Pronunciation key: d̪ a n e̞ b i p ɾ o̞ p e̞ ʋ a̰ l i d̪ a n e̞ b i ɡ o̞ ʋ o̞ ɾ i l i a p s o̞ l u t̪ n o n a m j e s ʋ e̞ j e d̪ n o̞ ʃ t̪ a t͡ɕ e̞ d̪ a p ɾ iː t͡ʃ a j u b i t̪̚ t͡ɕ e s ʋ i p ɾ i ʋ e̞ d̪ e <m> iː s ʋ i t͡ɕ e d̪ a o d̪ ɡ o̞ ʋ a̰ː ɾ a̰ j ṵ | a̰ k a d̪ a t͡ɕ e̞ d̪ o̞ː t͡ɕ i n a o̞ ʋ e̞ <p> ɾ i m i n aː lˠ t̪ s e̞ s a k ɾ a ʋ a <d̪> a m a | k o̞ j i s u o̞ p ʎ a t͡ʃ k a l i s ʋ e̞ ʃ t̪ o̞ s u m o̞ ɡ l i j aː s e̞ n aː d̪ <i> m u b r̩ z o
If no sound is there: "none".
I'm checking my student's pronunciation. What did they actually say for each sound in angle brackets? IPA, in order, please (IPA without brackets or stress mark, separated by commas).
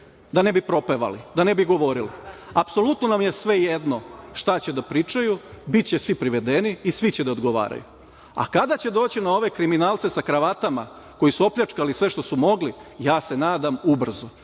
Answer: n, k, t̪, a